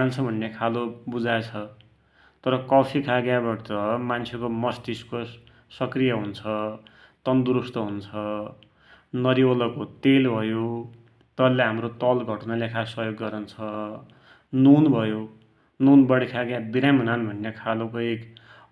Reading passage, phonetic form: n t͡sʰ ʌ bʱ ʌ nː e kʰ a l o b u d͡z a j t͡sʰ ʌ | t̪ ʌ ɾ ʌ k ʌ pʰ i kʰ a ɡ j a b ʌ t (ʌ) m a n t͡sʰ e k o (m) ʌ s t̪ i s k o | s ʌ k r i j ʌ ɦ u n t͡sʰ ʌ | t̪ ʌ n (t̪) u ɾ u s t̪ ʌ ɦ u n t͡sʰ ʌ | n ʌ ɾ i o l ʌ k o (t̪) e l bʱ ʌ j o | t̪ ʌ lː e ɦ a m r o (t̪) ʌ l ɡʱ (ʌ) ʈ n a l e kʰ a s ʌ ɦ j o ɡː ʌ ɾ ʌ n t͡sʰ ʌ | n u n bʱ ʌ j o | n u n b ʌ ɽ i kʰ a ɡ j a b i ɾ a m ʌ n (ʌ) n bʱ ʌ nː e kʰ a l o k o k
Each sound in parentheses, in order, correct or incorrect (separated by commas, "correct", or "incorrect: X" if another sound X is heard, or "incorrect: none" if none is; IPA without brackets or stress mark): correct, correct, incorrect: d̪, correct, correct, correct, incorrect: a